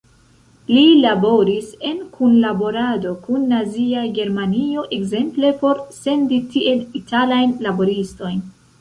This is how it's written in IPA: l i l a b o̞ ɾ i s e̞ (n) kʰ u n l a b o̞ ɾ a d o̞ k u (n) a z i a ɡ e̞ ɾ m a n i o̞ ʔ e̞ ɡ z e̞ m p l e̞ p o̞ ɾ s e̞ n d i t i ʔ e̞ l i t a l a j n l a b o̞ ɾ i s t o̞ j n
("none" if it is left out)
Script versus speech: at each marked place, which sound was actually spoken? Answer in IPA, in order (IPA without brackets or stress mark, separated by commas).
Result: n, nː